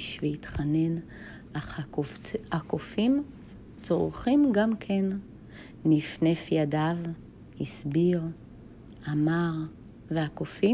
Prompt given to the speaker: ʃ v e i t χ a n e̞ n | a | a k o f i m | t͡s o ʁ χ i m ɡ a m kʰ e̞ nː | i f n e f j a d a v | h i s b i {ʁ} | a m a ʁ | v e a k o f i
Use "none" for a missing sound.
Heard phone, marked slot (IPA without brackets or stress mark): ʁ